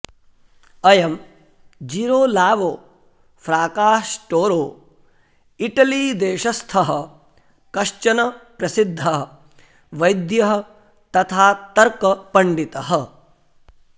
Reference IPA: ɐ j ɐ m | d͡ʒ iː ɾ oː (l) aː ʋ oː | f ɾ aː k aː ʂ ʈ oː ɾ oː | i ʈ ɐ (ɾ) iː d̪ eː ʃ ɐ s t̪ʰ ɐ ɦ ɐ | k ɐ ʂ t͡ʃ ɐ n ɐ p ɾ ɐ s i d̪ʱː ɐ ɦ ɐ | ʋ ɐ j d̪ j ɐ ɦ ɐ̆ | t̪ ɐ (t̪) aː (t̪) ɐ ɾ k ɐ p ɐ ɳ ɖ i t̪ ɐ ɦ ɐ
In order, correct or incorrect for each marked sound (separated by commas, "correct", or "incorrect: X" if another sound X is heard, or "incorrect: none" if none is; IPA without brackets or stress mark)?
correct, incorrect: l, incorrect: t̪ʰ, correct